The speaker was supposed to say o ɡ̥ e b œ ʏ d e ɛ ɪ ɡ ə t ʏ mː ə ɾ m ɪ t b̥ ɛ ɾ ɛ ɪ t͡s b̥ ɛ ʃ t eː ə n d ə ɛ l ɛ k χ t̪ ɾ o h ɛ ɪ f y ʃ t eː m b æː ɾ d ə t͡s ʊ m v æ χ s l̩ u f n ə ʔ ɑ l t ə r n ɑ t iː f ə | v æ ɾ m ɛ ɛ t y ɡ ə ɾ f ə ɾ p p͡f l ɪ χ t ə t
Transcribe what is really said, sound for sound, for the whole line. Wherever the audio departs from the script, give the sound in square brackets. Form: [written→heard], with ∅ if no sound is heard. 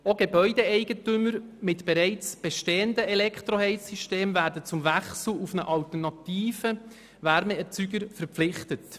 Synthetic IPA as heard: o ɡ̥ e b œ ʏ d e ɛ ɪ ɡ ə t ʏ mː ə ɾ m ɪ t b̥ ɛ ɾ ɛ ɪ t͡s b̥ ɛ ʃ t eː ə n d ə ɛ l ɛ k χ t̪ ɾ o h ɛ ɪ [f→s] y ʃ t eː m [b→v] æː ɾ d ə t͡s ʊ m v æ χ s l̩ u f n ə ʔ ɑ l t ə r n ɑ t iː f ə | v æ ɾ m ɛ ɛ [t→t͡s] y ɡ ə ɾ f ə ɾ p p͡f l ɪ χ t ə t